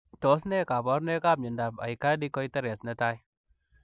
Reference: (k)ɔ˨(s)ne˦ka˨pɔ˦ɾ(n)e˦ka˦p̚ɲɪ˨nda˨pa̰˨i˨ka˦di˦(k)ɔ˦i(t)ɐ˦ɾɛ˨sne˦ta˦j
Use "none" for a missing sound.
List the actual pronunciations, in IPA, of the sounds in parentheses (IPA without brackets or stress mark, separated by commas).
t, s, n, k, t